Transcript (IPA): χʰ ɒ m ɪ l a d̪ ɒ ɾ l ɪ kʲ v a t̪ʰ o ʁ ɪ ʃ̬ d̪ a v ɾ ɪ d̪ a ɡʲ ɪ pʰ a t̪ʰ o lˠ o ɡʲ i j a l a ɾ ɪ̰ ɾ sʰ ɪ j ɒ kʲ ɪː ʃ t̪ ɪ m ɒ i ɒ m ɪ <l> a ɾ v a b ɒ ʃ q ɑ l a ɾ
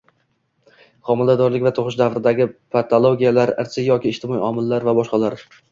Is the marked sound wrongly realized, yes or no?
yes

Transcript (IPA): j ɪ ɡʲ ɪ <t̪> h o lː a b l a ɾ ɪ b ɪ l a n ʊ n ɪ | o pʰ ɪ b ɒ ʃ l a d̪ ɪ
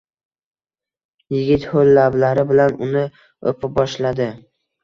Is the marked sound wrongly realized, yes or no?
no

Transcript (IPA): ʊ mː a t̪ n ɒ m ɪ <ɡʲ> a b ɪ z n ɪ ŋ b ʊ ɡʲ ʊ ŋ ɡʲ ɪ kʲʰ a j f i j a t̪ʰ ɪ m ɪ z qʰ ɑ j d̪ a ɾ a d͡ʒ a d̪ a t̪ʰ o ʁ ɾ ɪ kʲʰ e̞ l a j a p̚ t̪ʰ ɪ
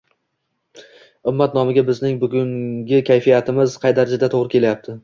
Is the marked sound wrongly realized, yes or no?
no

